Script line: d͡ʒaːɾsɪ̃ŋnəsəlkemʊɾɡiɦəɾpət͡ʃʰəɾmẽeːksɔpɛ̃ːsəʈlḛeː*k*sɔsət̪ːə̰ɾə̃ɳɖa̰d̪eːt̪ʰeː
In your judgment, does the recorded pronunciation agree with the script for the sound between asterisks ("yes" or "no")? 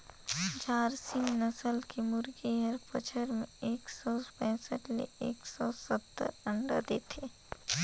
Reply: yes